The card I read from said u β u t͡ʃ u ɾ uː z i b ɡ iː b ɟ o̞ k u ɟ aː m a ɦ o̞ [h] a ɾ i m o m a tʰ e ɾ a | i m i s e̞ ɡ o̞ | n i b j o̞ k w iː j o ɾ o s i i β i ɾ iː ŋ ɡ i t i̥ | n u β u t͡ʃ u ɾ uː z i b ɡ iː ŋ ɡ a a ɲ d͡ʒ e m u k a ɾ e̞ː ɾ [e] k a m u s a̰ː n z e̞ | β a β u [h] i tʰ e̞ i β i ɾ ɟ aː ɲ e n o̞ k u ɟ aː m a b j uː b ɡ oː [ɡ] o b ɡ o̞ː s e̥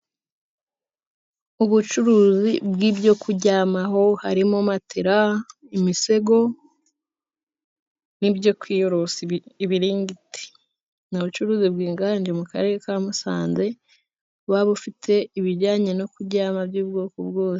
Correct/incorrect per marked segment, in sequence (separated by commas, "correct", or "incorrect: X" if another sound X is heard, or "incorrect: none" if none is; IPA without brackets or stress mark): correct, correct, incorrect: f, incorrect: k